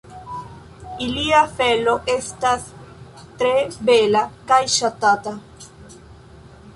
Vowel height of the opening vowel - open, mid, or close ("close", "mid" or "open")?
close